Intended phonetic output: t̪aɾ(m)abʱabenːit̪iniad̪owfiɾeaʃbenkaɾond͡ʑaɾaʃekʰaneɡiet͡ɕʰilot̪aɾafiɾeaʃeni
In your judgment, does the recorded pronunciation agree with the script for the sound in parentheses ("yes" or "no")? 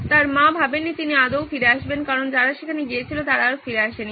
yes